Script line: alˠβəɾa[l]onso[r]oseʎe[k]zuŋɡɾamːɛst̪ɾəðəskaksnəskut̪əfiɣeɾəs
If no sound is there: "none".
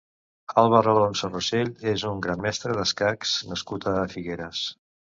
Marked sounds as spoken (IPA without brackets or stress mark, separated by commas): l, r, none